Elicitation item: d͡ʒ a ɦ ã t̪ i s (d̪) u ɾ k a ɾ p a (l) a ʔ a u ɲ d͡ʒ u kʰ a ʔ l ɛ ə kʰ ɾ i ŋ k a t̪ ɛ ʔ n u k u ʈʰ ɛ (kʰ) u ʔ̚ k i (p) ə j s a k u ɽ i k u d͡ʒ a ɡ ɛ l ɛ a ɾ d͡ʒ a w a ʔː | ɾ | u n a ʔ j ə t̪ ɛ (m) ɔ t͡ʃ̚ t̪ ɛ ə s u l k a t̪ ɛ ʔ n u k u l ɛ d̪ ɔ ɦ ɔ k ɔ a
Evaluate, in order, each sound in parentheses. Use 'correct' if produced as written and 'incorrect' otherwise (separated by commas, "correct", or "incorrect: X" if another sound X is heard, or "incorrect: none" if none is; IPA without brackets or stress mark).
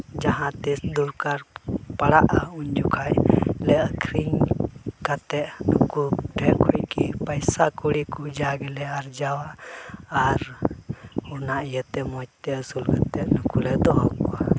correct, incorrect: ɽ, correct, correct, correct